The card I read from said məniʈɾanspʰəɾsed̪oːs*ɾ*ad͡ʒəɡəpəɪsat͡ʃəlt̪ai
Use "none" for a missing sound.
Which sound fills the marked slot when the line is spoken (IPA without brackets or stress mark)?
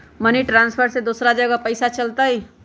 ɾ